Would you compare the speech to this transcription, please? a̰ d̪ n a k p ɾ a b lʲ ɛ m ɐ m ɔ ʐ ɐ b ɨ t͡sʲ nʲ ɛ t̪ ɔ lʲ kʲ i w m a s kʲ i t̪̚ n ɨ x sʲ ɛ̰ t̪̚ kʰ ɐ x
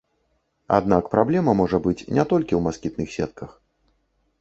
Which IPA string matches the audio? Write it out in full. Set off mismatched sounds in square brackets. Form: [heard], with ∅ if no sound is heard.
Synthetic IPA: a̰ d̪ n a k p ɾ a b lʲ ɛ m ɐ m ɔ ʐ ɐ b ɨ t͡sʲ nʲ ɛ t̪ ɔ lʲ kʲ i w m a s kʲ i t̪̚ n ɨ x sʲ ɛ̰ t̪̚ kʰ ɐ x